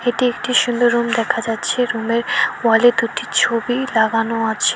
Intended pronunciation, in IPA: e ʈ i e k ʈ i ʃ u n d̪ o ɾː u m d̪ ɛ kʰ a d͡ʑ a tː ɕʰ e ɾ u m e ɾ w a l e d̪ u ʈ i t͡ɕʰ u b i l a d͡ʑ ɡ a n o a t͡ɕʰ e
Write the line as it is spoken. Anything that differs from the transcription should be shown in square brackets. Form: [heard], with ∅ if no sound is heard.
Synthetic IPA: e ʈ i e k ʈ i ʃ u n d̪ o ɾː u m d̪ ɛ kʰ a d͡ʑ a tː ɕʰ e ɾ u m e ɾ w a l e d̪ u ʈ i t͡ɕʰ [o] b i l a [∅] ɡ a n o a t͡ɕʰ e